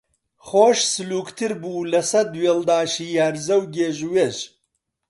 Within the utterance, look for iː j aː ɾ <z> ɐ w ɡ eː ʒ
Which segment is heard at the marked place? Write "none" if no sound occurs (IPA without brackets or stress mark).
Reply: z